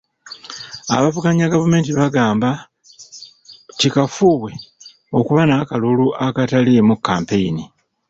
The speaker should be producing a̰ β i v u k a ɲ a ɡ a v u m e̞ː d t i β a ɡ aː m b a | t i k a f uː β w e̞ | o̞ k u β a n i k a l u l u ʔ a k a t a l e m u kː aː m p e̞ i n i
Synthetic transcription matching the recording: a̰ β a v u k a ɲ a ɡ a v u m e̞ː n t i β a ɡ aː m b a | t i k a f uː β w e̞ | o̞ k u β a n a k a l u l u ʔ a k a t a l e m u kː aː m p e̞ i n i